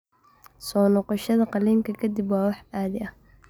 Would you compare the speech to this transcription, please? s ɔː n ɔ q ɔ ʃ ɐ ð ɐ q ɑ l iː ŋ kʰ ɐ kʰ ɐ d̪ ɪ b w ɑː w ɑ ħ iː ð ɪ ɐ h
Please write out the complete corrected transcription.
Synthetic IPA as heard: s ɔː n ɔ q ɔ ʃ ɐ ð ɐ q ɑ l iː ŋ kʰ ɐ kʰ ɐ d̪ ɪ b w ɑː w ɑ ħ aː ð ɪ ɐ h